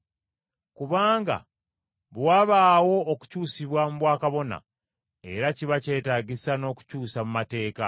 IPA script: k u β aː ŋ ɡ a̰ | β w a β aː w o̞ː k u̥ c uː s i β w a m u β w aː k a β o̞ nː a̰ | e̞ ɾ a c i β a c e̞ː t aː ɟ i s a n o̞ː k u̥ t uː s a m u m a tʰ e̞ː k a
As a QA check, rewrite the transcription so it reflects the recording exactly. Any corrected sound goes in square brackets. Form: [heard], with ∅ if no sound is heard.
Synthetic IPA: k u β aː ŋ ɡ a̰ | β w a β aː w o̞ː k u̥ c uː s i β w a m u β w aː k a β o̞ [n] a̰ | e̞ ɾ a c i β a c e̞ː t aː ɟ i s a n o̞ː k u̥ [c] uː s a m u m a [t] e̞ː k a